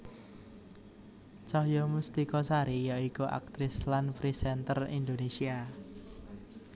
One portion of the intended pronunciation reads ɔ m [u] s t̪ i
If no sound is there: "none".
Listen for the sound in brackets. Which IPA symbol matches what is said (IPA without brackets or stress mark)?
u